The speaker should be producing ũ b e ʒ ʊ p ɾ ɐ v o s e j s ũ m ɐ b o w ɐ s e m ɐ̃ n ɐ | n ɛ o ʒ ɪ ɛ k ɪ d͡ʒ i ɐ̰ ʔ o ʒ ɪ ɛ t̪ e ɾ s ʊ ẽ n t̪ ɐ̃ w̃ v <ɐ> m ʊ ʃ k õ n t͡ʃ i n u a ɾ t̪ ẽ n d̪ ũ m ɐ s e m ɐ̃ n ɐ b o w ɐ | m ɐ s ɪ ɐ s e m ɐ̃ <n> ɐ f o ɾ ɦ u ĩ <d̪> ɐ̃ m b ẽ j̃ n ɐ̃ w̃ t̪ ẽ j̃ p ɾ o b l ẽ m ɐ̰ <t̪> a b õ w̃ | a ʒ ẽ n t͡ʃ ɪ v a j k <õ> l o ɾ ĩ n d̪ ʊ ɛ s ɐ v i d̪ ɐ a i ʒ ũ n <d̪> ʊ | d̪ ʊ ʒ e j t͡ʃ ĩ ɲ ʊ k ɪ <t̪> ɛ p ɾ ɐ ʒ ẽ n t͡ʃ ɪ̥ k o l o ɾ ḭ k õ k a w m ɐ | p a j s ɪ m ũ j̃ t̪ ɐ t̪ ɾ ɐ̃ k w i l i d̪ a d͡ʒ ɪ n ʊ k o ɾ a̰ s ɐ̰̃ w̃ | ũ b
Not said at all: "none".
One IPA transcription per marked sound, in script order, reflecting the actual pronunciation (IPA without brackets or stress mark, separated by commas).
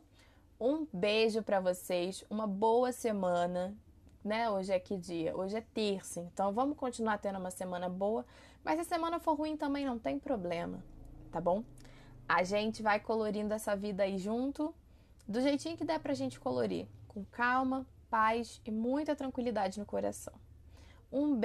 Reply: ɐ̃, n, t̪, t̪, o, t̪, d̪